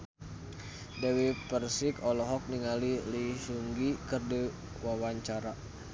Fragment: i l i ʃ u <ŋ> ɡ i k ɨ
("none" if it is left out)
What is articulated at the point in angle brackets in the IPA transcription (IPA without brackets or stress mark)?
ŋ